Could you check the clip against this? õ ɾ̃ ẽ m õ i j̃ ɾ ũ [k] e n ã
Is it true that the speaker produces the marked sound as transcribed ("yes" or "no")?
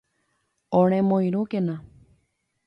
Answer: yes